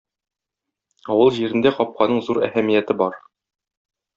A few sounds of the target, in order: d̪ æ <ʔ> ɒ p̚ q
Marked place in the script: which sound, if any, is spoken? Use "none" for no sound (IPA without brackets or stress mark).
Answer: q